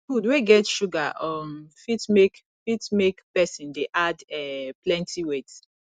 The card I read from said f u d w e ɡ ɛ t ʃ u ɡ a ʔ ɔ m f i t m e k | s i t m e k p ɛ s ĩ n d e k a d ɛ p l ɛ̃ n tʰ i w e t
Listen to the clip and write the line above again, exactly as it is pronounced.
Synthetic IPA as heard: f u d w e ɡ ɛ t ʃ u ɡ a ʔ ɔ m f i t m e k | f i t m e k p ɛ s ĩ n d e ʔ a d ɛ p l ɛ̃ n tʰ i w e t